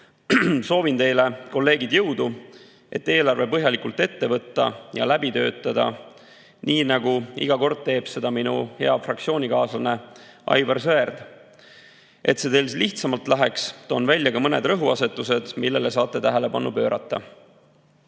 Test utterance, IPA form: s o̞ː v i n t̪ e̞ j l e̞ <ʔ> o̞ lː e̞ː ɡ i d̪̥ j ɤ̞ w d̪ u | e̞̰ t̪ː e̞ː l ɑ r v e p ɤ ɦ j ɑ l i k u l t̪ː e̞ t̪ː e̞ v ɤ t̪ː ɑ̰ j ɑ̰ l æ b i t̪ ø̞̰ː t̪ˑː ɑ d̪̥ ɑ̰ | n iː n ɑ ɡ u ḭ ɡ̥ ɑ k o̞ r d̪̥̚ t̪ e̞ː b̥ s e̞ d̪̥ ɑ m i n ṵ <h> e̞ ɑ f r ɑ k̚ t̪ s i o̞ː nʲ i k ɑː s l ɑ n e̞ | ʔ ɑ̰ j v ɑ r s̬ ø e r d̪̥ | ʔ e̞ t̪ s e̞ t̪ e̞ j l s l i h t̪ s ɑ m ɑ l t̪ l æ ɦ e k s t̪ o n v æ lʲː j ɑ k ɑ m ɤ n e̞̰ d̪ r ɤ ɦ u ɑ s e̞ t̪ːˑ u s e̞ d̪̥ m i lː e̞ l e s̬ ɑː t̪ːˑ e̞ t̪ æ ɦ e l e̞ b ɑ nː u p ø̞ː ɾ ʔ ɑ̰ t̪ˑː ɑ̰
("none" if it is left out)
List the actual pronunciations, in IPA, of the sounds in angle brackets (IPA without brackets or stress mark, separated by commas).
k, h